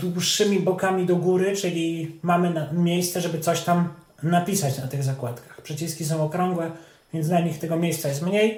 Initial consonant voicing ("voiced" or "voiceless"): voiced